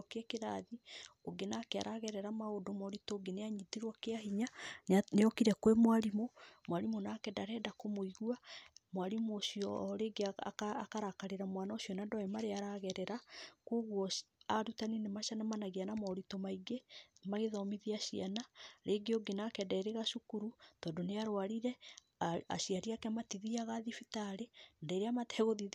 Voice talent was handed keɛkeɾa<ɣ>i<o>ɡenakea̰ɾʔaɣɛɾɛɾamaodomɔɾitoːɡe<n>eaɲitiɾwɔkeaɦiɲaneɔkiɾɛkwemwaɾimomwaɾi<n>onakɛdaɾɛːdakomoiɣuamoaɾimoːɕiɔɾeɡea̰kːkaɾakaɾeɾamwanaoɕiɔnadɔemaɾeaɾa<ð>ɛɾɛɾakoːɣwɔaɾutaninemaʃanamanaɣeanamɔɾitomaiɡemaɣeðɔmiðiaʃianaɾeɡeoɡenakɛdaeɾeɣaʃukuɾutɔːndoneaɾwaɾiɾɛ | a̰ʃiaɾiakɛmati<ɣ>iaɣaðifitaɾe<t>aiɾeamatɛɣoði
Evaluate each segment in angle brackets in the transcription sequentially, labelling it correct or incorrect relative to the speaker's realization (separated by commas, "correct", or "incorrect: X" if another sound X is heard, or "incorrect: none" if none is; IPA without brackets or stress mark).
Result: incorrect: ð, correct, correct, incorrect: m, incorrect: ɣ, incorrect: ð, incorrect: d